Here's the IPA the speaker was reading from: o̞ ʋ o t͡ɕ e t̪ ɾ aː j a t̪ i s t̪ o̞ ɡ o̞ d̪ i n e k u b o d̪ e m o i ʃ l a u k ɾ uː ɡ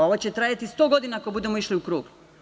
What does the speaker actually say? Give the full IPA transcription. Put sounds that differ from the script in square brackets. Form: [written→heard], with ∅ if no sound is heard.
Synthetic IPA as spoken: o̞ ʋ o t͡ɕ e t̪ ɾ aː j a t̪ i s t̪ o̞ ɡ o̞ d̪ i n [e→a] k [u→o] b [o→u] d̪ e m o i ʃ l [a→i] u k ɾ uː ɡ